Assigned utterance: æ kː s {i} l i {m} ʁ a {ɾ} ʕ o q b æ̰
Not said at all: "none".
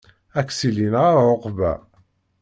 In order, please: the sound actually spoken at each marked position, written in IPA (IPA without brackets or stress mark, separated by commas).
i, n, ɾ